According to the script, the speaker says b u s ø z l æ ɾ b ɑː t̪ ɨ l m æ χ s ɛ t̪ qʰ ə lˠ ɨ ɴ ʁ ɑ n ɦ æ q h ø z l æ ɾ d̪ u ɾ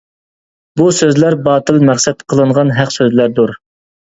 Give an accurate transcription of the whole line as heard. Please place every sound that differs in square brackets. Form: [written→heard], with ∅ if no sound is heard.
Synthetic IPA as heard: b u s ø z l æ ɾ b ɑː t̪ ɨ l m æ χ s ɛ t̪ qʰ ə lˠ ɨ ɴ ʁ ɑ n ɦ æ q [h→s] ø z l æ ɾ d̪ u ɾ

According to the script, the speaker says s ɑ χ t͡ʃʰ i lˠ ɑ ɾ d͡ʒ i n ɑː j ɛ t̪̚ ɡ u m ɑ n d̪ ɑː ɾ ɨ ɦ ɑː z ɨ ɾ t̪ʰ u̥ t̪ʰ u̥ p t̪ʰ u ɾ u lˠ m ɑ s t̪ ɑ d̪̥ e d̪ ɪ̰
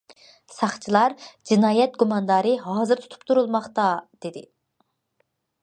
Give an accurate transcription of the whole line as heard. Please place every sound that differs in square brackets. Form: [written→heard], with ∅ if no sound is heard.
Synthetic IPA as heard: s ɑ χ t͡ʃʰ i lˠ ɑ ɾ d͡ʒ i n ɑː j ɛ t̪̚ ɡ u m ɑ n d̪ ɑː ɾ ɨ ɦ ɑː z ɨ ɾ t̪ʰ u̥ t̪ʰ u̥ p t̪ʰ u ɾ u lˠ m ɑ [s→χ] t̪ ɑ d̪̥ e d̪ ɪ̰

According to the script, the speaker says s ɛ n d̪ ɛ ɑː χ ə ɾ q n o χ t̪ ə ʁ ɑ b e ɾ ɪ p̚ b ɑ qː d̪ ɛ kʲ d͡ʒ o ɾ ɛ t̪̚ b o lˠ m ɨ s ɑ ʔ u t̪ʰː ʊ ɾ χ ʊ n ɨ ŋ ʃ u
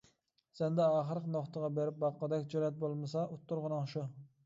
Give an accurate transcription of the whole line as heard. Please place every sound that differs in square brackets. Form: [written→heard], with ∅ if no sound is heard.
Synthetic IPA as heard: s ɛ n d̪ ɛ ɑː χ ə ɾ q n o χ t̪ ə ʁ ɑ b e ɾ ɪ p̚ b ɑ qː d̪ ɛ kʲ d͡ʒ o ɾ ɛ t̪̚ b o lˠ m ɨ s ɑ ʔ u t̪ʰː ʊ ɾ [χ→ʁ] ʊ n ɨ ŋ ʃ u

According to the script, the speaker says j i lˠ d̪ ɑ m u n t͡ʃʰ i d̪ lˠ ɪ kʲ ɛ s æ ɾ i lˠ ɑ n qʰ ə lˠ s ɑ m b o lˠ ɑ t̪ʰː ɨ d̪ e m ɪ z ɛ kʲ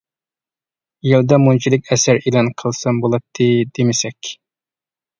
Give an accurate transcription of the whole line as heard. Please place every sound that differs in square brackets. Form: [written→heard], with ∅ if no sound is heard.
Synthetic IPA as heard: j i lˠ d̪ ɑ m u n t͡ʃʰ i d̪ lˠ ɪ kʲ ɛ s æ ɾ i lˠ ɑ n qʰ ə lˠ s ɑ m b o lˠ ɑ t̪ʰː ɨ d̪ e m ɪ [z→s] ɛ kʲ

